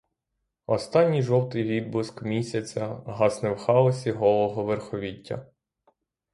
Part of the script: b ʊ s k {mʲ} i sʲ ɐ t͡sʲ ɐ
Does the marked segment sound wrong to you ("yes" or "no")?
no